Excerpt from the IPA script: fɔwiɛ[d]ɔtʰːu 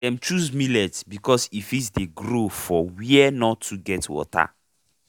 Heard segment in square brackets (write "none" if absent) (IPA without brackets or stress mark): n